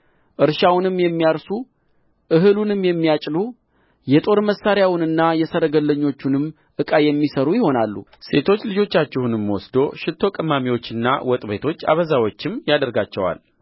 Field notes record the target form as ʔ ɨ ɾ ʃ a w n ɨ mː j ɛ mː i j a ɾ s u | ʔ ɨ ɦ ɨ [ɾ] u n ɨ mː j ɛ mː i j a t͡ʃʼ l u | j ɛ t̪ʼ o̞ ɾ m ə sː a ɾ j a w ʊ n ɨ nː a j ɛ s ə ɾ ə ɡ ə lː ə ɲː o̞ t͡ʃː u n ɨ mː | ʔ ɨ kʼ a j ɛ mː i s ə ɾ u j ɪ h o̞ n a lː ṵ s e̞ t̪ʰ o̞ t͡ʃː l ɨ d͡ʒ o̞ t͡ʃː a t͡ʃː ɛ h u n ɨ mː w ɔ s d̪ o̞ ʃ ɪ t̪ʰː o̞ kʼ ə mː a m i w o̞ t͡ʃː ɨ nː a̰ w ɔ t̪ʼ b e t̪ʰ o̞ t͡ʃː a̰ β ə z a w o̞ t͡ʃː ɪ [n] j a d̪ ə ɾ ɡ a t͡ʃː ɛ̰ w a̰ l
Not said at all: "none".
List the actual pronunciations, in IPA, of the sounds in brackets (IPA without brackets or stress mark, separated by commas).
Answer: l, m